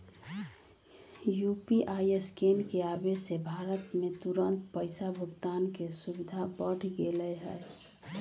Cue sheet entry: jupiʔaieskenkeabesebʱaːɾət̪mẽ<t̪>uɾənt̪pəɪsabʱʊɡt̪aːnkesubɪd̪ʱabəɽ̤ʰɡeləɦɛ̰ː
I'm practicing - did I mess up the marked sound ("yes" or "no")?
no